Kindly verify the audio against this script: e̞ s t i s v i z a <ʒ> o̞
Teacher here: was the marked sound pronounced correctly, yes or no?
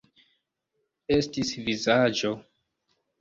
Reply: no